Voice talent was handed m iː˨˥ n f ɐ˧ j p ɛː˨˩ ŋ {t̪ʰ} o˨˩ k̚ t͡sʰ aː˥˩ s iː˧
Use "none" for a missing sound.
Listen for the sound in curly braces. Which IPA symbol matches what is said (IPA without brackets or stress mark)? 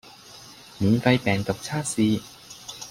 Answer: t̪